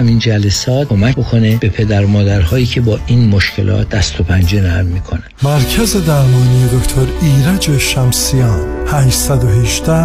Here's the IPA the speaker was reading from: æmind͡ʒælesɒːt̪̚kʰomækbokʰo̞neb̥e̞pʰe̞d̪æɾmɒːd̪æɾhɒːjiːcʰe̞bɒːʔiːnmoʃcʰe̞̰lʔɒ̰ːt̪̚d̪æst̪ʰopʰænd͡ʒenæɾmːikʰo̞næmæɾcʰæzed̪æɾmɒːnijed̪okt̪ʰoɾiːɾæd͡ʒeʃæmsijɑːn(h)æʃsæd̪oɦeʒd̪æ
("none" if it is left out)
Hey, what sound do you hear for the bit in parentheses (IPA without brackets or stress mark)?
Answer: h